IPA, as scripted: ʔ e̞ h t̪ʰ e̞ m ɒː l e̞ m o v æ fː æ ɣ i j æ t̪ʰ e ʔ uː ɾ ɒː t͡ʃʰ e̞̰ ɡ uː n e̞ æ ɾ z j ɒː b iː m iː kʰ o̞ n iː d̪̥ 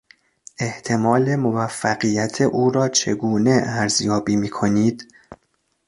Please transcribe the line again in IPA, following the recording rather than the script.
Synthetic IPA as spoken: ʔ e̞ h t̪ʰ e̞ m ɒː l e̞ m o v æ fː æ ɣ i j æ t̪ʰ e ʔ uː ɾ ɒː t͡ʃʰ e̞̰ ɡ uː n e̞ æ ɾ z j ɒː b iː m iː kʰ o̞ n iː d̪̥